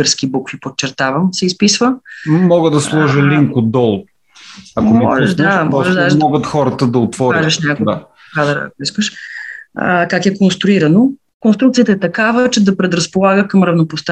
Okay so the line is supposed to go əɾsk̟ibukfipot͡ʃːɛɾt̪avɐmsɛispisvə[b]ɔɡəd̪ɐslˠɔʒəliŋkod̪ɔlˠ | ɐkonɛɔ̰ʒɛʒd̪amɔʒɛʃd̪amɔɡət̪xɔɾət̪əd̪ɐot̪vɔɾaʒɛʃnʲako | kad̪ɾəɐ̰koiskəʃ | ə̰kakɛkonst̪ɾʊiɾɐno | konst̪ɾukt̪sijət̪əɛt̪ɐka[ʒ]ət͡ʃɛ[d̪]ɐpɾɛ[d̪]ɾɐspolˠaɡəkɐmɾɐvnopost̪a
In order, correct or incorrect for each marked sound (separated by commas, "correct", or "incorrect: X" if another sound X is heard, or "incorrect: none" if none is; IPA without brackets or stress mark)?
incorrect: m, incorrect: v, correct, correct